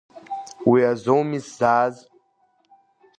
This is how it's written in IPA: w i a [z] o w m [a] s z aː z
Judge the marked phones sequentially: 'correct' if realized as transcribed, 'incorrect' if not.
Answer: correct, incorrect: i

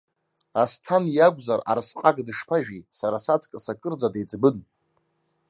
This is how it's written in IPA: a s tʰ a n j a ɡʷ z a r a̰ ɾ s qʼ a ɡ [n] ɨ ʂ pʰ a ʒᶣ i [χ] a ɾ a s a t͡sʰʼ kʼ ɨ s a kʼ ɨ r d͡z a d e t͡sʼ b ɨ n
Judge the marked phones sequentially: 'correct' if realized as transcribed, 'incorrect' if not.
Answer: incorrect: d, incorrect: s

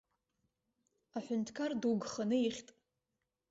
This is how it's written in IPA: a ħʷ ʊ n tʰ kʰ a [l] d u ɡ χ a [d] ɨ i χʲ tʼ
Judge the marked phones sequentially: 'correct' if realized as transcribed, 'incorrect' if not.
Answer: incorrect: r, incorrect: n

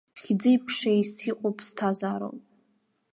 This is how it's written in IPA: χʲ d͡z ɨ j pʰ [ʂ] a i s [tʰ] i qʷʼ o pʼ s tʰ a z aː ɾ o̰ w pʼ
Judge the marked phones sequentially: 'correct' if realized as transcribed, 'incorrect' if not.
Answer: correct, correct

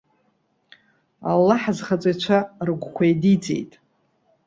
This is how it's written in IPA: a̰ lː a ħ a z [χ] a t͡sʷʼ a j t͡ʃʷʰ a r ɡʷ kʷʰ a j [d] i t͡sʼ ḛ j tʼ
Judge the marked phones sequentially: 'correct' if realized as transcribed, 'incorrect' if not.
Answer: correct, correct

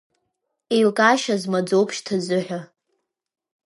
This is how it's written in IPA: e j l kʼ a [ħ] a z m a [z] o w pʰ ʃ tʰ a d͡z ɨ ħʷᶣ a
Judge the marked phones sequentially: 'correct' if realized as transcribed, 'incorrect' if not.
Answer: incorrect: ʃ, incorrect: d͡z

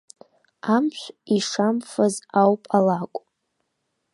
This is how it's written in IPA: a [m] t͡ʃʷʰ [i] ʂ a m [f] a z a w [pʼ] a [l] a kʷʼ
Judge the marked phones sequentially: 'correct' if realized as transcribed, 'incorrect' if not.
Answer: correct, correct, correct, correct, correct

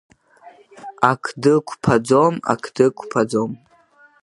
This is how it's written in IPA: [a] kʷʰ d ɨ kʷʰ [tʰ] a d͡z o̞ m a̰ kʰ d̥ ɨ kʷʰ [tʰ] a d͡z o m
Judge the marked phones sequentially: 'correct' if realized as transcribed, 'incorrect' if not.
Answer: correct, incorrect: pʰ, incorrect: pʰ

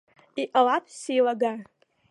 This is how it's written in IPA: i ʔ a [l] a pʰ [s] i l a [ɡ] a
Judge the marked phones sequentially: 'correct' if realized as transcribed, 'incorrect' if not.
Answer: correct, correct, correct

